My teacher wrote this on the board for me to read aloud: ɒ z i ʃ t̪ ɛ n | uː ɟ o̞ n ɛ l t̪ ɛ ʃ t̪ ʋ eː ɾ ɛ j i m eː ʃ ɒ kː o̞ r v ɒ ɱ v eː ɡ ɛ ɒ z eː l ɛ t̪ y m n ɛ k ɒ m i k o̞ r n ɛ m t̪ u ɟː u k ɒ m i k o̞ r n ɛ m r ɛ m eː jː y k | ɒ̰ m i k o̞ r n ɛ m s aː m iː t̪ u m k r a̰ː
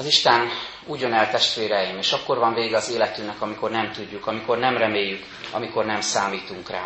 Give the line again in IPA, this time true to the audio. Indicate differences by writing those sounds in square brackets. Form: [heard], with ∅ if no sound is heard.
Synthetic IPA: ɒ z i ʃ t̪ ɛ n | uː ɟ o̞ n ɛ l t̪ ɛ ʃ t̪ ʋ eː ɾ ɛ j i m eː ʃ ɒ kː o̞ r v ɒ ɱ v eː ɡ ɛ ɒ z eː l ɛ t̪ y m n ɛ k ɒ m i k o̞ r n ɛ m t̪ u ɟː u k ɒ m i k o̞ r n ɛ m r ɛ m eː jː y k | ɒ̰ m i k o̞ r n ɛ m s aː m iː t̪ u [ŋ] k r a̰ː